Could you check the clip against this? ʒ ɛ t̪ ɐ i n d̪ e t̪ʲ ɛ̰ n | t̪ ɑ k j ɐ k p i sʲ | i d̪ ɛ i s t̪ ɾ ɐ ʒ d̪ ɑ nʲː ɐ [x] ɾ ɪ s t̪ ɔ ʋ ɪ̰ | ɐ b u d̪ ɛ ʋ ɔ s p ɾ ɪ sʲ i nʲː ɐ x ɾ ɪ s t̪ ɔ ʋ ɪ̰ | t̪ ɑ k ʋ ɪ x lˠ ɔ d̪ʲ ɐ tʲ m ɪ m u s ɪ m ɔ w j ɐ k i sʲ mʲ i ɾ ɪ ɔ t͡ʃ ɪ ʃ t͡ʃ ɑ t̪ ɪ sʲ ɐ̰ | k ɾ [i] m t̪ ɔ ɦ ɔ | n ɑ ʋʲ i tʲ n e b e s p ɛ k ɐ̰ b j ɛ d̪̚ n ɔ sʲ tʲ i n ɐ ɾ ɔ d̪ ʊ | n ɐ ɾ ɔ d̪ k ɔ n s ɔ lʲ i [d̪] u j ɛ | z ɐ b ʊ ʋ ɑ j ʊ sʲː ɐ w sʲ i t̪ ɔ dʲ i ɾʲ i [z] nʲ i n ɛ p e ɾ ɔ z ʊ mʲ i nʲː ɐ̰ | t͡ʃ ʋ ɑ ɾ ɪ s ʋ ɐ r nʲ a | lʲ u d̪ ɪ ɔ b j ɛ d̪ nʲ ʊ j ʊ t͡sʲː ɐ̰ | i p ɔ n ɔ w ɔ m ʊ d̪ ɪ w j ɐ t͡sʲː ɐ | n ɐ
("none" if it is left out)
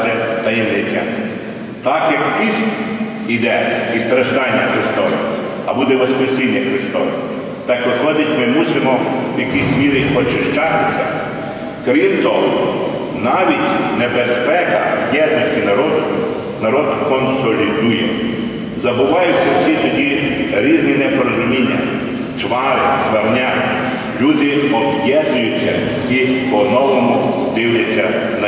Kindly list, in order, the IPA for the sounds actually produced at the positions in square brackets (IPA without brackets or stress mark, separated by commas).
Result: x, i, d̪, z